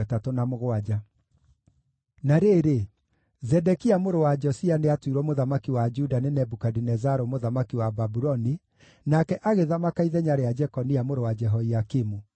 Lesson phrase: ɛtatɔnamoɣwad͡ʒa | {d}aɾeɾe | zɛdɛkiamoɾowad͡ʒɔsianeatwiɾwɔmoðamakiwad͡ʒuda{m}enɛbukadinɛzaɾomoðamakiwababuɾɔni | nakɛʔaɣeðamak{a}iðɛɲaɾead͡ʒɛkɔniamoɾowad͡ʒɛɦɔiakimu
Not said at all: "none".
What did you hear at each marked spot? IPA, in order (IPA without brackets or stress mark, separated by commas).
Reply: n, n, a